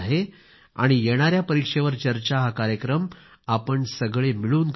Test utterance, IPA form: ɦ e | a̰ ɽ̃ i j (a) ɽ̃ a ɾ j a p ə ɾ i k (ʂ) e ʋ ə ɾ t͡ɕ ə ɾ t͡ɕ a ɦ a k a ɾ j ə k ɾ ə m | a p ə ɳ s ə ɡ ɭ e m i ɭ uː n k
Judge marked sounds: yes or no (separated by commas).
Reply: no, yes